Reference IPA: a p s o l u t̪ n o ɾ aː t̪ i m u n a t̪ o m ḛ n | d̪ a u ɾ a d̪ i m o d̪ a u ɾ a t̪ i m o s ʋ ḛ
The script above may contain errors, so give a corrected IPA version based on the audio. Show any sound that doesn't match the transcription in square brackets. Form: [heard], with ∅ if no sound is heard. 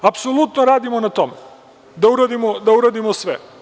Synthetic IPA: a p s o l u t̪ n o ɾ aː [d̪] i m [o] n a t̪ o m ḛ [∅] | d̪ a u ɾ a d̪ i m o d̪ a u ɾ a [d̪] i m o s ʋ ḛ